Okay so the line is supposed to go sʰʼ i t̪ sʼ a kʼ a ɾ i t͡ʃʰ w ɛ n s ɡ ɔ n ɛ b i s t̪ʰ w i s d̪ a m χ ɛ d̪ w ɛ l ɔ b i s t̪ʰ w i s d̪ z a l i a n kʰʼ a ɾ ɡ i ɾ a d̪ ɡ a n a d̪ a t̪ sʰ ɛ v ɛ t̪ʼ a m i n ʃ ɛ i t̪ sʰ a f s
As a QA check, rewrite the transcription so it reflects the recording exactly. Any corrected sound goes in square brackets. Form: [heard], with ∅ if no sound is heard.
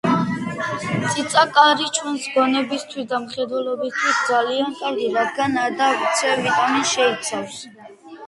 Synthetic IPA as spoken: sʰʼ i t̪ sʼ a kʼ a ɾ i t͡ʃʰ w ɛ n s ɡ ɔ n ɛ b i s t̪ʰ w i s d̪ a m χ ɛ d̪ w ɛ l ɔ b i s t̪ʰ w i s d̪ z a l i a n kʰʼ a ɾ ɡ i ɾ a d̪ ɡ a n a d̪ a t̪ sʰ ɛ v [i] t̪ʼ a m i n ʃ ɛ i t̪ sʰ a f s